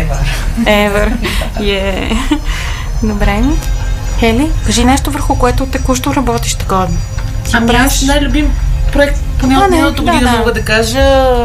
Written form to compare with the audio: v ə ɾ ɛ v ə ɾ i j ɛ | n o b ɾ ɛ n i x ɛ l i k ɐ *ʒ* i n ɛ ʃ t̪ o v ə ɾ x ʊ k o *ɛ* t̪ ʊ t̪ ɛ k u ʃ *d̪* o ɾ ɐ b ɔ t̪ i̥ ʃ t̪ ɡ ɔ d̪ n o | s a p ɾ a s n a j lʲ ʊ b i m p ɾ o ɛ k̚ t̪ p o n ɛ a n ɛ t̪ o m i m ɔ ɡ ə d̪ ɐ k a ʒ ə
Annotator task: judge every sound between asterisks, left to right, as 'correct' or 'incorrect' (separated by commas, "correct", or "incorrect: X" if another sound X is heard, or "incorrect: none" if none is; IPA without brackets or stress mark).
correct, correct, incorrect: t̪